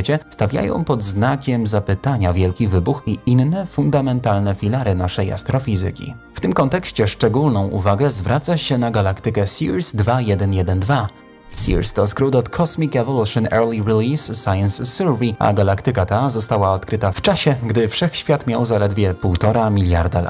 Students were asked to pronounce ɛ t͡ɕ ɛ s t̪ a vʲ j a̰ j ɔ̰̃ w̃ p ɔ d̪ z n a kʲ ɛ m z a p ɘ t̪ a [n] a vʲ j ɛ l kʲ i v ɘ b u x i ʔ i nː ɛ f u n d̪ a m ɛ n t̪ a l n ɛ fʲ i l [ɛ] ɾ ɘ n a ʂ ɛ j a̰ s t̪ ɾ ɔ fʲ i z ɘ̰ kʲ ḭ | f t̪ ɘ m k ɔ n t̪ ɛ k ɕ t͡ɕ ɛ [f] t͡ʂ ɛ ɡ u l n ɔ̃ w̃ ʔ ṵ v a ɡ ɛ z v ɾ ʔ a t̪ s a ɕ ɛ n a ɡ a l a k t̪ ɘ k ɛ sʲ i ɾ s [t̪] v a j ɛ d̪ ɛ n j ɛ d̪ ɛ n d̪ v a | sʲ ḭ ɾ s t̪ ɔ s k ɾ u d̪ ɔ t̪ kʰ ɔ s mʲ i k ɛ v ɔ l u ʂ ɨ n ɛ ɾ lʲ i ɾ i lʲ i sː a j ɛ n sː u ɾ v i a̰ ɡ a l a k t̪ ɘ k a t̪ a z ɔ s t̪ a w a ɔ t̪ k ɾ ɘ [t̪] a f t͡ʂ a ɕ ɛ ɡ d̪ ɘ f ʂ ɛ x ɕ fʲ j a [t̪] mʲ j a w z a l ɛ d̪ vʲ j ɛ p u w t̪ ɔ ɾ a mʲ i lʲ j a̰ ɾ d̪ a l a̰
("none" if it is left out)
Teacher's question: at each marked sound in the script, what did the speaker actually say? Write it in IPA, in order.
ɲ, a, ʂ, d̪, t̪, t̪

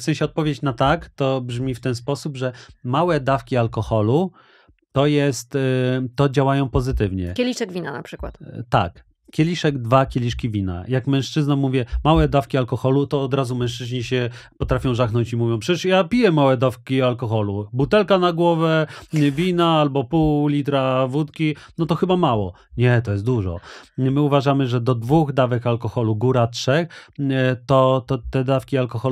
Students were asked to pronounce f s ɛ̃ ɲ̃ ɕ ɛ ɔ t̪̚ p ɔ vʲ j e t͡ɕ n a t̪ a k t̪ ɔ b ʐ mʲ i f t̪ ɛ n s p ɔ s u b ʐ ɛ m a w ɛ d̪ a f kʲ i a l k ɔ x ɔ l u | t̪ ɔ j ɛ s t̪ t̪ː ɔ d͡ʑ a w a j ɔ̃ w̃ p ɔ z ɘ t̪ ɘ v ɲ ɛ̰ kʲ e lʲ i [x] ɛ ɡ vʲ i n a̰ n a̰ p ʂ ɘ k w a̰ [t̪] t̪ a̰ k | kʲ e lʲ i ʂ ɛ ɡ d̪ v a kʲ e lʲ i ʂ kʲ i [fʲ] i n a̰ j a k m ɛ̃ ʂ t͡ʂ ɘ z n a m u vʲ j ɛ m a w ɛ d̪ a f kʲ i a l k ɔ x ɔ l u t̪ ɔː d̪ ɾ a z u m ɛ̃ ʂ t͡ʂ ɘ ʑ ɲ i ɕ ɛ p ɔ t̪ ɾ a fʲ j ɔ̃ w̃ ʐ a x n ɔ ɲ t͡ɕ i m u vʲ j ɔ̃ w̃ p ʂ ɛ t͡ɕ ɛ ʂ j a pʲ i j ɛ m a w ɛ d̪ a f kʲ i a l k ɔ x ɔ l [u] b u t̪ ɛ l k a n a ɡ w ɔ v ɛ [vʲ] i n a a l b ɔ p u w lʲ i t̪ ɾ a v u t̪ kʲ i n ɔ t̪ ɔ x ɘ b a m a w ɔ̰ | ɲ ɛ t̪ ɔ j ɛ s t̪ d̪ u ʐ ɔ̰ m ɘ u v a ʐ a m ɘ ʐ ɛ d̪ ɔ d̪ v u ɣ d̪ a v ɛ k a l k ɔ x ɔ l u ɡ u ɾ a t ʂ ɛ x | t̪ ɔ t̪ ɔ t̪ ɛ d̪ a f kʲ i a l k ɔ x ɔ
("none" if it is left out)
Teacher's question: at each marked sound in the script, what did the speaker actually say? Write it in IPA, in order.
ʂ, t̪, vʲ, u, vʲ

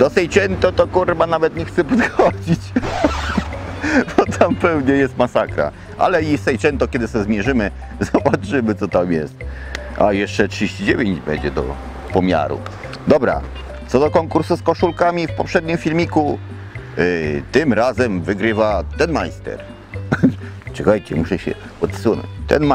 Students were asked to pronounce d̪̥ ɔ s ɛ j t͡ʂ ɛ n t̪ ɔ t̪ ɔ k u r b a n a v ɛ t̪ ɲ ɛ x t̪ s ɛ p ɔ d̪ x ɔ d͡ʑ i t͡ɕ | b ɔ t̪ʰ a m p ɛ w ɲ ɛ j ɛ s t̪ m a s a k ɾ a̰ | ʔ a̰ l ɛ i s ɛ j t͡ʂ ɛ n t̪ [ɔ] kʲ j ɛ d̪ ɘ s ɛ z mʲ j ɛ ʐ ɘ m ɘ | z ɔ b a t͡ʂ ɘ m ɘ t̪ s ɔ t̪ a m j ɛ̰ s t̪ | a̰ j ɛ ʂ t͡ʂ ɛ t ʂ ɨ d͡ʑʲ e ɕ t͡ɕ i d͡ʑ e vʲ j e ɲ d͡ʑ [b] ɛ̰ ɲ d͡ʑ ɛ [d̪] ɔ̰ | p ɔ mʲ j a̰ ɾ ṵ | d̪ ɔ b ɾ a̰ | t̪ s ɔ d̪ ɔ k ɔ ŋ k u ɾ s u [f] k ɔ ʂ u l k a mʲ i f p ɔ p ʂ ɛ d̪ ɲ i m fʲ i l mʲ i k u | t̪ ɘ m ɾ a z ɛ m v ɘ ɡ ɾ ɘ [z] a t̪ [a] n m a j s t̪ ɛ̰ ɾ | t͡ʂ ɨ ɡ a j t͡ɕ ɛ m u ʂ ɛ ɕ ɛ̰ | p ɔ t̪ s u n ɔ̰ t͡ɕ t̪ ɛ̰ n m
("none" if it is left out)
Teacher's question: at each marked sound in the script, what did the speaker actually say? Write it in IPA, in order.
ɔ, b, d̪, s, v, ɛ

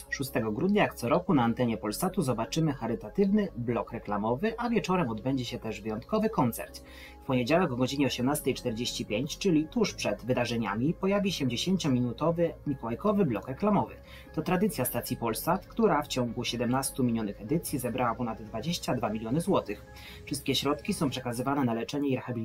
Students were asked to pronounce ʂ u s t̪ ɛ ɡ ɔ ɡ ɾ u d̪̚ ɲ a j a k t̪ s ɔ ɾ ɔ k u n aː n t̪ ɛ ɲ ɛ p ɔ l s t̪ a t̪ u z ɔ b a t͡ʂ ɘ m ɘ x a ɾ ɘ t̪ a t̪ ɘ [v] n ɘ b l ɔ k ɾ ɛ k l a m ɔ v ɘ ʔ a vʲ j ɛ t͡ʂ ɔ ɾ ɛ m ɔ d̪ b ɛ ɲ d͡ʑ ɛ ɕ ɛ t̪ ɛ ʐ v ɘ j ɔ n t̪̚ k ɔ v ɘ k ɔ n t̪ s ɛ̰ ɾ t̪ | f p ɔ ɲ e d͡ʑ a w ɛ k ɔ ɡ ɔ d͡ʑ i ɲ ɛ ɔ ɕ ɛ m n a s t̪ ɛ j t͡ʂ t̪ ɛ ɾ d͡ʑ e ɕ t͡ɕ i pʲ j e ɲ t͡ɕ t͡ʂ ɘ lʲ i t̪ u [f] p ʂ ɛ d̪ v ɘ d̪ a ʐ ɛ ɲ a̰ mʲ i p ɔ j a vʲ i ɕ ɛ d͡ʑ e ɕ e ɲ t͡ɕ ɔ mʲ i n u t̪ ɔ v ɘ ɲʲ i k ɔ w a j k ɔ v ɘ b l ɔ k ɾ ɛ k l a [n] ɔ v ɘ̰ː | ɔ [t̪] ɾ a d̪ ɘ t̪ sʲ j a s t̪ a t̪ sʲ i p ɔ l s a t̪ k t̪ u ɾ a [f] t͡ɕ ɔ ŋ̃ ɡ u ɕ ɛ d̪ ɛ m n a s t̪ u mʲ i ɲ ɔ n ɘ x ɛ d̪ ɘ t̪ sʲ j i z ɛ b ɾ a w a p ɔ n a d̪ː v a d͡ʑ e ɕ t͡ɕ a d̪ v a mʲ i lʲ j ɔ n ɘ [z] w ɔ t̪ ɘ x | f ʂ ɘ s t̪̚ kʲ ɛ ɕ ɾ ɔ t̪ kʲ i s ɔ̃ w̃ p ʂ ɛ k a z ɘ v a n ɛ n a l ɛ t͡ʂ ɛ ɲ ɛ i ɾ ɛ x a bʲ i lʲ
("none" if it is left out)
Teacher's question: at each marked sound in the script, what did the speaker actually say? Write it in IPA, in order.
v, ʂ, m, t̪, f, z

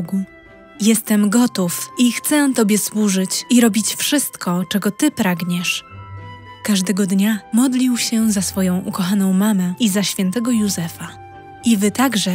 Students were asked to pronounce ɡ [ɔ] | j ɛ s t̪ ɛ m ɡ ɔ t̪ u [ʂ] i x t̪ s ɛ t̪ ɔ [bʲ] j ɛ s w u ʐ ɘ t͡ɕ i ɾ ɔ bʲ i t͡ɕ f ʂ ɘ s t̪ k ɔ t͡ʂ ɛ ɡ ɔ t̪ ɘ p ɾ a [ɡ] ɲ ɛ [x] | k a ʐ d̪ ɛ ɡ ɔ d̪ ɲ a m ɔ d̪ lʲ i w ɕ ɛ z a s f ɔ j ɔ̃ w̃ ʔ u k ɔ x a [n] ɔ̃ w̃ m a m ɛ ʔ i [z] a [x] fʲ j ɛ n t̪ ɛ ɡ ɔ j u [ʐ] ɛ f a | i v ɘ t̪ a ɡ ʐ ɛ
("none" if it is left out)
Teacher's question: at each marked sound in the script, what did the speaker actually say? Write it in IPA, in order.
u, f, bʲ, ɡ, ʂ, n, z, ɕ, z

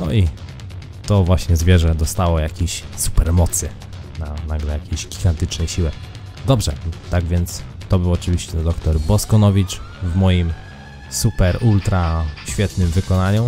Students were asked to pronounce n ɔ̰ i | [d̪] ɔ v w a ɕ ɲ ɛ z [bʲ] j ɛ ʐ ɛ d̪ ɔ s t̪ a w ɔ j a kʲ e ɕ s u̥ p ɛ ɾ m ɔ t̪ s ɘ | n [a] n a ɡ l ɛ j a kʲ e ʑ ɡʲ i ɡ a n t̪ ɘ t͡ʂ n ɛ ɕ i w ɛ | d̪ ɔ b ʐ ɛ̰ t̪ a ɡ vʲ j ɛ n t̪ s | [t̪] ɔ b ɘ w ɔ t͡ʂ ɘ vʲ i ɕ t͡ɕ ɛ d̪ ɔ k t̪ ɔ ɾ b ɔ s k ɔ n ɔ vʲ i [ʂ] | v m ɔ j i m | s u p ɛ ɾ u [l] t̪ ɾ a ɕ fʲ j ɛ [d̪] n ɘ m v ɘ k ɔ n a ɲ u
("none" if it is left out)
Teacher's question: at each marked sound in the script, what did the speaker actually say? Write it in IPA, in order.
t̪, vʲ, a, t̪, t͡ʂ, l, t̪

